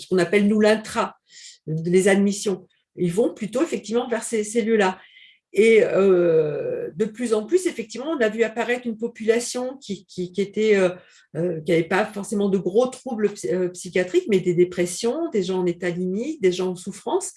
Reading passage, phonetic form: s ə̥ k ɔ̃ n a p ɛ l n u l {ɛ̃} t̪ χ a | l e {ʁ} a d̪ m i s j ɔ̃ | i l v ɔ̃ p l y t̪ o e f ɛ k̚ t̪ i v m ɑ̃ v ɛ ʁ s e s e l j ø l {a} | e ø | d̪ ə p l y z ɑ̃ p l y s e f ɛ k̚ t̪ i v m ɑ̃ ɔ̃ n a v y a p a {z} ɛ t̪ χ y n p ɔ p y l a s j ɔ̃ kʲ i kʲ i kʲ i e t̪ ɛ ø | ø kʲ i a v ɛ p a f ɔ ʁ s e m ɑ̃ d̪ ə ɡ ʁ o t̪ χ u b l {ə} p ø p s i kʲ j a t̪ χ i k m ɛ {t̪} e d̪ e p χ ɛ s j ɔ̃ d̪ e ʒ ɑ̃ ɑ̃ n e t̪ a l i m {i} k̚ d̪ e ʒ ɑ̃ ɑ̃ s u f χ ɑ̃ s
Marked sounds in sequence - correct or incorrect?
correct, incorrect: z, correct, incorrect: ʁ, correct, incorrect: d̪, correct

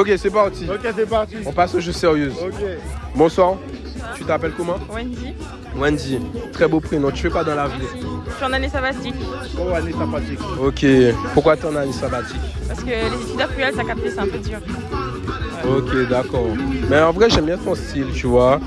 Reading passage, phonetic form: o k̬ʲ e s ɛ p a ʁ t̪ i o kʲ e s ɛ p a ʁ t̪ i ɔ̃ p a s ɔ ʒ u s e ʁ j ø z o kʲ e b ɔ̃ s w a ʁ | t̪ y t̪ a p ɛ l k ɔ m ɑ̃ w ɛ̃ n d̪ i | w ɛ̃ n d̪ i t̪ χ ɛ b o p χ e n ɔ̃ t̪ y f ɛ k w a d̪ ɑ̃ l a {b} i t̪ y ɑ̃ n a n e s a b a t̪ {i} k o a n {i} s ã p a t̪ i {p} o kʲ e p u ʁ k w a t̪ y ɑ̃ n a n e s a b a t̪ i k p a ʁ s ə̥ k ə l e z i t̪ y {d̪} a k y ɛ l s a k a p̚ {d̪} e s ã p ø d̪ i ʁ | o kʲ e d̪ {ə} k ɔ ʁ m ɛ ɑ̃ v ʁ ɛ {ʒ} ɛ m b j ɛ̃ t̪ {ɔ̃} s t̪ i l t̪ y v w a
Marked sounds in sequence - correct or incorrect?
incorrect: v, correct, incorrect: e, incorrect: k, correct, incorrect: t̪, incorrect: a, correct, correct

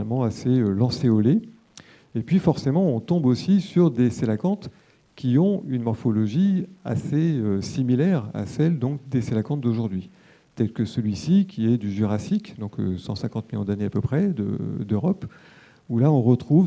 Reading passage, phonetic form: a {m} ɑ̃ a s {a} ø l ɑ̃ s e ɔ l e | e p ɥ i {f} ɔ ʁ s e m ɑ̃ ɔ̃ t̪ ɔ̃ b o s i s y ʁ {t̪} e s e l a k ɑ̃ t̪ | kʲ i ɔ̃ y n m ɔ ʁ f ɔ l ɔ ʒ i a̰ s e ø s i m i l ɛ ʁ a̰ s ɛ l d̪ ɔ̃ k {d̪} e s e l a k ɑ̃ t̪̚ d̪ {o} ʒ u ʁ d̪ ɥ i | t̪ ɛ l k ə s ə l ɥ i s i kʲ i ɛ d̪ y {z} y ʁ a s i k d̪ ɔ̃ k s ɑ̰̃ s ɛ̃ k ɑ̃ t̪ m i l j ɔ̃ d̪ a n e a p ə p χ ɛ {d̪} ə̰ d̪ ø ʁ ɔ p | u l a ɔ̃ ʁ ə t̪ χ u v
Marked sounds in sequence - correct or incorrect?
correct, incorrect: e, correct, incorrect: d̪, correct, correct, incorrect: ʒ, correct

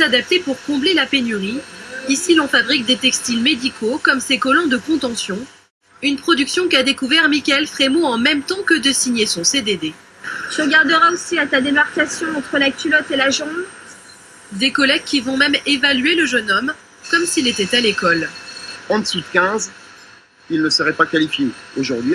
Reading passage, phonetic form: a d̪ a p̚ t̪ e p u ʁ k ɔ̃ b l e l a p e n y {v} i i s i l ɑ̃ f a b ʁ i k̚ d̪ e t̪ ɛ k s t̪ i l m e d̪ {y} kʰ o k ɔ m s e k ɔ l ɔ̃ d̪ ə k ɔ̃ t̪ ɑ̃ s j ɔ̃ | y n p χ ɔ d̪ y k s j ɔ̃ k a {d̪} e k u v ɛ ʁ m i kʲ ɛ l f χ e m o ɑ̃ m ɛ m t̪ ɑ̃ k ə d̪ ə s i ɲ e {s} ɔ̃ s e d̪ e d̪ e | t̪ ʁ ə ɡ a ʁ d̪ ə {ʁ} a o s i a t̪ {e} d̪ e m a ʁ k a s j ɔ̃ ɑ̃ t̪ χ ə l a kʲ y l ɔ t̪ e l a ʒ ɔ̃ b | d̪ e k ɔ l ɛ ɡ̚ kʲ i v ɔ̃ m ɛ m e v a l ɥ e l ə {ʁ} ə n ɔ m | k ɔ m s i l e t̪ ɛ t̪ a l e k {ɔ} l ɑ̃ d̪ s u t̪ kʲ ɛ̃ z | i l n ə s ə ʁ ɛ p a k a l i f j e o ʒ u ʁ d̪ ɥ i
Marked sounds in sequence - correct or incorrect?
incorrect: ʁ, incorrect: i, correct, correct, correct, incorrect: a, incorrect: ʒ, correct

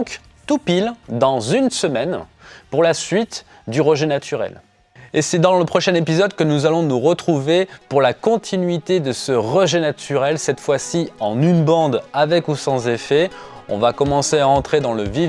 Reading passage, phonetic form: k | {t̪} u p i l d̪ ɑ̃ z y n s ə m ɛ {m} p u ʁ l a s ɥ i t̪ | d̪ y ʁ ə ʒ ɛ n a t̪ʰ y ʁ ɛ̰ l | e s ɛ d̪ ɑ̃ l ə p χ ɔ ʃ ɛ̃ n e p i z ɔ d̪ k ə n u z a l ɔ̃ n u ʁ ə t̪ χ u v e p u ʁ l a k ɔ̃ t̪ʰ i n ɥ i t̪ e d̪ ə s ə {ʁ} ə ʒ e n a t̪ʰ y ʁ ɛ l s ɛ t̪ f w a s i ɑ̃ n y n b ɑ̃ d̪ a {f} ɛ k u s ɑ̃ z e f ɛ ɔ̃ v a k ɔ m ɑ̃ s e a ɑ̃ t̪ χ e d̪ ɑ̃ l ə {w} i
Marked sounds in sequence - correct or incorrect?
correct, incorrect: n, correct, incorrect: v, incorrect: v

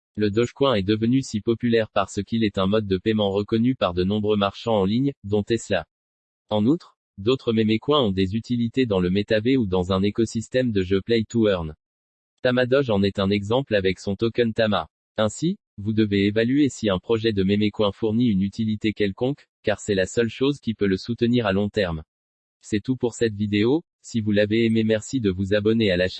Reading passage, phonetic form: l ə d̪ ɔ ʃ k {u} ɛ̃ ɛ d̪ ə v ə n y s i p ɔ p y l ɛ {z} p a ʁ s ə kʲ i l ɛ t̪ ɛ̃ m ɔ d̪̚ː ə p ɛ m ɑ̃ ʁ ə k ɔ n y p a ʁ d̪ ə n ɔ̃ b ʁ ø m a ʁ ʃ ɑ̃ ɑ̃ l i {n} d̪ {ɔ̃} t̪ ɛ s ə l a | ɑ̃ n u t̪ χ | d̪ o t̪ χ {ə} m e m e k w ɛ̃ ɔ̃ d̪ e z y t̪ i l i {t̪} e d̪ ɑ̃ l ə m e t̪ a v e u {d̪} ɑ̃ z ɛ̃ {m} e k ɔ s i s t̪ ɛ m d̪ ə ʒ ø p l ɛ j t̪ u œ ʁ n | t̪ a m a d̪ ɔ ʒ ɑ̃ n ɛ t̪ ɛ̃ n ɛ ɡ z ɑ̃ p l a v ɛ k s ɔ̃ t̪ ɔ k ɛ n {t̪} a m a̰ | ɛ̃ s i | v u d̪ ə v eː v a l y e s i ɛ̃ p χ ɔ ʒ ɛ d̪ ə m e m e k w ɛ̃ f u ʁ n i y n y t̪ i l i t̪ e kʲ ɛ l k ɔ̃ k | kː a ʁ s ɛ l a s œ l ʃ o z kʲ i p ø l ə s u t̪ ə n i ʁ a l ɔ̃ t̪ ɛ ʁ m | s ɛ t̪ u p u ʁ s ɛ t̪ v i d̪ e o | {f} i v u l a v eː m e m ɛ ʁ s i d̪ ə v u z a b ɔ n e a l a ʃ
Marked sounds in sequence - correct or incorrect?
incorrect: w, incorrect: ʁ, incorrect: ɲ, correct, correct, correct, correct, incorrect: n, correct, incorrect: s

